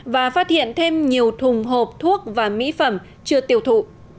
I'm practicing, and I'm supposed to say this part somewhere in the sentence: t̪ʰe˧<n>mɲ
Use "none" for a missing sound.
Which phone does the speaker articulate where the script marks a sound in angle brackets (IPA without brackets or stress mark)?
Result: none